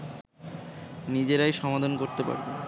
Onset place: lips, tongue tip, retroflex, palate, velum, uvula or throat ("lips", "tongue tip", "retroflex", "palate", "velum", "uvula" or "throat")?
tongue tip